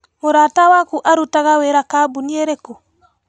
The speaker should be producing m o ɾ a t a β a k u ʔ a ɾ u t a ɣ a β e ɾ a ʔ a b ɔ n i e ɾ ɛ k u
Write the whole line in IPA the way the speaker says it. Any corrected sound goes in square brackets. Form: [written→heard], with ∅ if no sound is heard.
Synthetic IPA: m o ɾ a t a [β→w] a k u ʔ a ɾ u t a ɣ a [β→w] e ɾ a [ʔ→k] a b [ɔ→u] n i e ɾ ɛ k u